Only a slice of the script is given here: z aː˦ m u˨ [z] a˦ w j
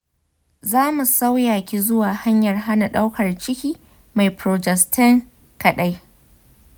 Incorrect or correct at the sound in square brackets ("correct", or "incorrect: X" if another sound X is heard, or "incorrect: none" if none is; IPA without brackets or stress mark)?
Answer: incorrect: s